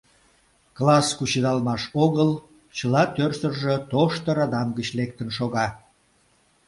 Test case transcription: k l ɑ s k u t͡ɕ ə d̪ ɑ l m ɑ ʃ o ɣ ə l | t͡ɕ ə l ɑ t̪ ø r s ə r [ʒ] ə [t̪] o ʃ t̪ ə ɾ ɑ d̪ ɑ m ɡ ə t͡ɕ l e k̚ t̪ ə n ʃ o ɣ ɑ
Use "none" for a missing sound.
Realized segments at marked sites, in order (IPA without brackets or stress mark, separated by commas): ʒ, t̪